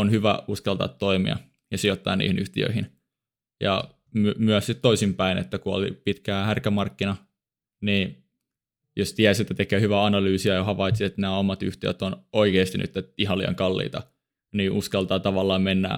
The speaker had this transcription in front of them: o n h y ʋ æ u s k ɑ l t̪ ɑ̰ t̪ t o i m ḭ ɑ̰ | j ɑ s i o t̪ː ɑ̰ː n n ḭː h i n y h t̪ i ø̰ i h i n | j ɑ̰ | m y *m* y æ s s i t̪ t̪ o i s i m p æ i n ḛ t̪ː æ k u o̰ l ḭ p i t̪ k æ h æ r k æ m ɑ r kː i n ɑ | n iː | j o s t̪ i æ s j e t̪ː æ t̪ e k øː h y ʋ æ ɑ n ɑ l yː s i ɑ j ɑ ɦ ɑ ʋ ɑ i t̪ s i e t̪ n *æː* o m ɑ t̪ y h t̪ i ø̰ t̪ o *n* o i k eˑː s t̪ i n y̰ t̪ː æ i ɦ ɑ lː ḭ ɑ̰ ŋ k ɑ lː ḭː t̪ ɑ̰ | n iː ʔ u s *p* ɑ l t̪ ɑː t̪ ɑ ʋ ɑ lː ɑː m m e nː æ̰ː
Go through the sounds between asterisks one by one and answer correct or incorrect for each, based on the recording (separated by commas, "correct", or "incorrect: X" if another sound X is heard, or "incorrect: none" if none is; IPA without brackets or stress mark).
correct, correct, correct, incorrect: k